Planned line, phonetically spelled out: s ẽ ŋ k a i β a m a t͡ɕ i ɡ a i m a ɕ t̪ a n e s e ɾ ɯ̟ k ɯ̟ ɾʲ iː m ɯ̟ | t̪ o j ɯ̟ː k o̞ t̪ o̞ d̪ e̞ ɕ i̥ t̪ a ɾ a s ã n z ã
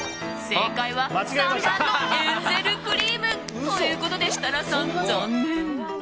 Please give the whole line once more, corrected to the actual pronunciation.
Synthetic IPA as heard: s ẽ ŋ k a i β a m a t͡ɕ i ɡ a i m a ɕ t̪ a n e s e ɾ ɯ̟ k ɯ̟ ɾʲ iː m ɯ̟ | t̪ o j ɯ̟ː k o̞ t̪ o̞ d̪ e̞ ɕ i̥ t̪ a ɾ a s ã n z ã